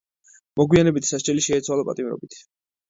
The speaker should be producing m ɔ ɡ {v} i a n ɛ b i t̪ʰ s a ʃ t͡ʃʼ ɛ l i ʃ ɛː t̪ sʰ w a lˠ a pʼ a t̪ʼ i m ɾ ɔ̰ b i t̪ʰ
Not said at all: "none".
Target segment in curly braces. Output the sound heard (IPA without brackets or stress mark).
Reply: w